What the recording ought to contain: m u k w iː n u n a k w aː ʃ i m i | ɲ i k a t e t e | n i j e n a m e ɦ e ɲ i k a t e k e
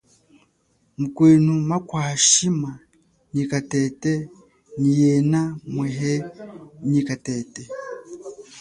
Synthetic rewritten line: m u k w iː n u m a k w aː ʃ i m a | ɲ i k a t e t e | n i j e n a m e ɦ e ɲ i k a t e t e

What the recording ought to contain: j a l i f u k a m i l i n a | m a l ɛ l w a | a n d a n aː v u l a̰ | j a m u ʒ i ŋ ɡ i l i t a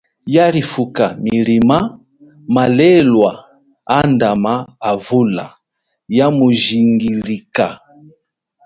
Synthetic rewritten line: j a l i f u k a m i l i m a | m a l ɛ l w a | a n d a m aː v u l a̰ | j a m u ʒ i ŋ ɡ i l i k a

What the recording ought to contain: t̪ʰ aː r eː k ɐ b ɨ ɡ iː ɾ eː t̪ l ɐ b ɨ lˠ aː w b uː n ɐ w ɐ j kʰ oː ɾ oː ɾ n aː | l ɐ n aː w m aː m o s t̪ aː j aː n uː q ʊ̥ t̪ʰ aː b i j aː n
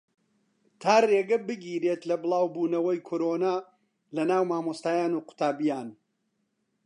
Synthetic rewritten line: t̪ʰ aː r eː ɡ ɐ b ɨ ɡ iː ɾ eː t̪ l ɐ b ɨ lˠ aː w b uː n ɐ w ɐ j kʰ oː ɾ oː n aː | l ɐ n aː w m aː m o s t̪ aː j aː n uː q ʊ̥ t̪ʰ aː b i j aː n

